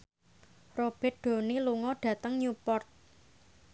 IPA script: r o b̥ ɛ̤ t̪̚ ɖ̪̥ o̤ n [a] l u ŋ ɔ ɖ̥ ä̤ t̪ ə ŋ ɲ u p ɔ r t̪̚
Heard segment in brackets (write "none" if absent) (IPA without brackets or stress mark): i